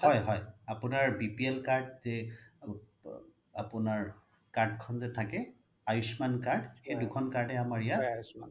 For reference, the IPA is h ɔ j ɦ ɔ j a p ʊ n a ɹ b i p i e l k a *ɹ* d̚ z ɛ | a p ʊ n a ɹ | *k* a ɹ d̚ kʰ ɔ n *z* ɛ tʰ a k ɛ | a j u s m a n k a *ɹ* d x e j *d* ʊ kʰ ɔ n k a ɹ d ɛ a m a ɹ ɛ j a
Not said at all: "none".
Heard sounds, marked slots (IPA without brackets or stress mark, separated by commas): ɹ, k, z, ɹ, d